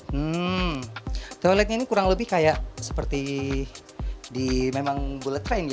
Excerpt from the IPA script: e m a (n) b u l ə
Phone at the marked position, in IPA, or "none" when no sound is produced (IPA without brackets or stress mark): ŋ